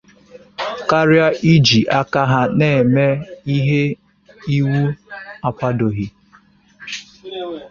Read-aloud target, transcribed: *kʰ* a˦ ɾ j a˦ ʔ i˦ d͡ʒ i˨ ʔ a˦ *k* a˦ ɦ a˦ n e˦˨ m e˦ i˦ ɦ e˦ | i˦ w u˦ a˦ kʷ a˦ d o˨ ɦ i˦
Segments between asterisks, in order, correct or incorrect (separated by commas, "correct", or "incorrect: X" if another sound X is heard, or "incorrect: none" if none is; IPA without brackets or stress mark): incorrect: k, correct